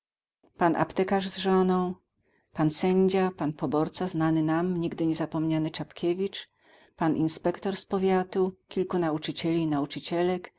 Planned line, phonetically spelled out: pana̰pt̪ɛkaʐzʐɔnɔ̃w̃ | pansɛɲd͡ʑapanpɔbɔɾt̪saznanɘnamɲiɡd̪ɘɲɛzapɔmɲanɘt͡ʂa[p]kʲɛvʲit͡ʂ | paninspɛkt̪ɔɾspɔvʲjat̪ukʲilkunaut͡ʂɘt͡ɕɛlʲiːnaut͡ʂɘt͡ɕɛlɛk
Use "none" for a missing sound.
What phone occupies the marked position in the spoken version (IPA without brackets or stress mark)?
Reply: p